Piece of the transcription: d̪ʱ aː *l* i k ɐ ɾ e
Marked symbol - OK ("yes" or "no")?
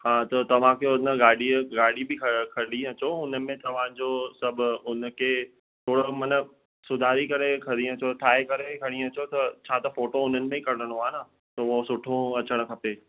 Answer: no